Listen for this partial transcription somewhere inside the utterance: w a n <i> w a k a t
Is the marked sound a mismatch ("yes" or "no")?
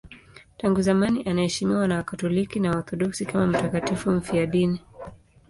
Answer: yes